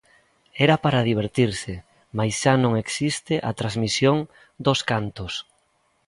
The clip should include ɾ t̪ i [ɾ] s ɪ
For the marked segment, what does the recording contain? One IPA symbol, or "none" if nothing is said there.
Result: ɾ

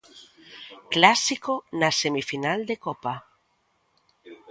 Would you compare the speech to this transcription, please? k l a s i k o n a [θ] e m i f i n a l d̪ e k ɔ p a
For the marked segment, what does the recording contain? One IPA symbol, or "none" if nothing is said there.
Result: s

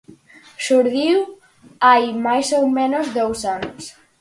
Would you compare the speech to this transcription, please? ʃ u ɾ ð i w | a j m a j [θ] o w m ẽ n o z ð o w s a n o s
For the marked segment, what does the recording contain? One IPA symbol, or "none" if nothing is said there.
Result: s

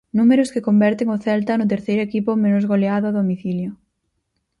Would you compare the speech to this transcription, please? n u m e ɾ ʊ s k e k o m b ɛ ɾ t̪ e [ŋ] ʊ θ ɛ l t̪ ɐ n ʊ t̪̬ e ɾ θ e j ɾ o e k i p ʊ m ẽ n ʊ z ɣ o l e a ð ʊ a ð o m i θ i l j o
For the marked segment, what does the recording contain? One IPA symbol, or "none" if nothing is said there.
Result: ŋ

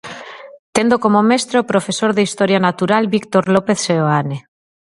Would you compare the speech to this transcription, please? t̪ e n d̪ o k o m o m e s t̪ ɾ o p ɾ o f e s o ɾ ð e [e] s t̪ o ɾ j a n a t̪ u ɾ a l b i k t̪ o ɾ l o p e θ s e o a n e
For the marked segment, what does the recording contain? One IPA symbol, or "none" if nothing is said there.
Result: i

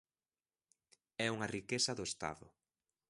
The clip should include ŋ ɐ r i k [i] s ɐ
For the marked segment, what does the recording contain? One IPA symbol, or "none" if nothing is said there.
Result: e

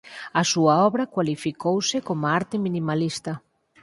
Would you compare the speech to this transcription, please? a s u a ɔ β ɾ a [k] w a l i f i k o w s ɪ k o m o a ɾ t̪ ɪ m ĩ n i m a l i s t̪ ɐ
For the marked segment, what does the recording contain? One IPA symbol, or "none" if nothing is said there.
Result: k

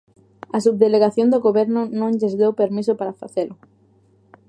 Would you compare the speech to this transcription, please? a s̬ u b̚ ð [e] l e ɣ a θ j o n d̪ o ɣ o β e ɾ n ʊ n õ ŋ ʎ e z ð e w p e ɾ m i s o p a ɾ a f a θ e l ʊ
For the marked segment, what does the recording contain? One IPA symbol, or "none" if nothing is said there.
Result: e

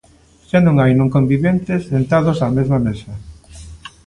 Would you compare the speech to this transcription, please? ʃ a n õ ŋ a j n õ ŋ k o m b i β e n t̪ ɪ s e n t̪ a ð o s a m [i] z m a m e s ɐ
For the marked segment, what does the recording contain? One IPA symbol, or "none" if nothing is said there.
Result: e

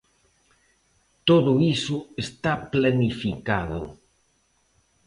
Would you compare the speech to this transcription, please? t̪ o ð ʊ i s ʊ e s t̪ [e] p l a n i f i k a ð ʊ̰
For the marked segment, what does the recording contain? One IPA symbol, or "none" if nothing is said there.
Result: a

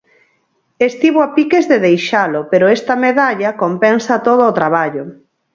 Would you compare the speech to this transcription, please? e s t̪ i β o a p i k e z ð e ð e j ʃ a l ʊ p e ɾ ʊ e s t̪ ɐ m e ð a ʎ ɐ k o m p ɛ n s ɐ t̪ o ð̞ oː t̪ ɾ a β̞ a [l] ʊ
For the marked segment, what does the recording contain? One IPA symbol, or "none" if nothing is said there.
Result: ʎ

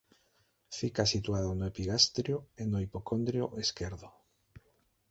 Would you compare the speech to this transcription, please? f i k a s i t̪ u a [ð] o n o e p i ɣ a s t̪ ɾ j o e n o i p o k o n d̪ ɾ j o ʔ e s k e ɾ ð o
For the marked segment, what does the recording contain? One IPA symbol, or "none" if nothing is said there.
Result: ð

